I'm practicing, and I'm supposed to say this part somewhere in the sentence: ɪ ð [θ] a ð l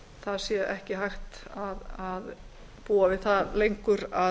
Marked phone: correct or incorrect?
correct